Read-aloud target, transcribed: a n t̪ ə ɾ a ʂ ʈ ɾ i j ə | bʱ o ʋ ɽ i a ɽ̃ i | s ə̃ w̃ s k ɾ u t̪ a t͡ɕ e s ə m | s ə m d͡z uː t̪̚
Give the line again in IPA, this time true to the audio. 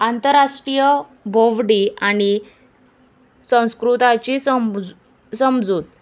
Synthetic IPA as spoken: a n t̪ ə ɾ a ʂ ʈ ɾ i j ə | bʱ o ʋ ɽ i a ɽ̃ i | s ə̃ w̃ s k ɾ u t̪ a t͡ɕ i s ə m | s ə m d͡z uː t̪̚